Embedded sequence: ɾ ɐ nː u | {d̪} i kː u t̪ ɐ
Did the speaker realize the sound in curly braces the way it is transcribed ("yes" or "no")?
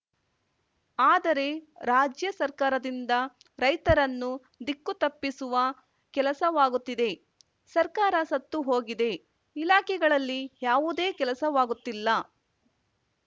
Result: yes